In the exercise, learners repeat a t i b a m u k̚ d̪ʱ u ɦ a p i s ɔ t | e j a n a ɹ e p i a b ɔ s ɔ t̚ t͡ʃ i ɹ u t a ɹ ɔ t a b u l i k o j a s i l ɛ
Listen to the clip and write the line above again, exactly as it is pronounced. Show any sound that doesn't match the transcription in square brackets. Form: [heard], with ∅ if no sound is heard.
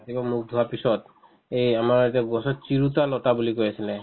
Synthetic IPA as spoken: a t i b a m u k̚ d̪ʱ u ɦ a p i s ɔ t | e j a [m] a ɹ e [t] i a [ɡ] ɔ s ɔ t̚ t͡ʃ i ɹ u t a [l] ɔ t a b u l i k o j a s i l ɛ